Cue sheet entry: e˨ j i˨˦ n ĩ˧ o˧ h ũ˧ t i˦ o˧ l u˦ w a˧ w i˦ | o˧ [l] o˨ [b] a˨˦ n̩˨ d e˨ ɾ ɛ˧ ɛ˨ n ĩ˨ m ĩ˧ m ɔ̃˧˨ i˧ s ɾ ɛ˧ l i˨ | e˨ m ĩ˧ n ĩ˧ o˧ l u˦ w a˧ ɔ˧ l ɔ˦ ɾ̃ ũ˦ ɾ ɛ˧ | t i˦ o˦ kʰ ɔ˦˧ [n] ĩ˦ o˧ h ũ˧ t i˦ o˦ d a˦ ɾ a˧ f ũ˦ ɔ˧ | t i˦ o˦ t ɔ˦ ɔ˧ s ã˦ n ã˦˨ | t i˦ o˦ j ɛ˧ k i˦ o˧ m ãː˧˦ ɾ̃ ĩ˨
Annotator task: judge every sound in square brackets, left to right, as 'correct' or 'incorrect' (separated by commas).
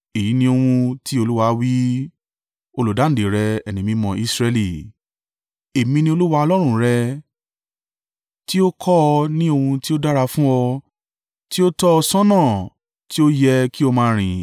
correct, incorrect, correct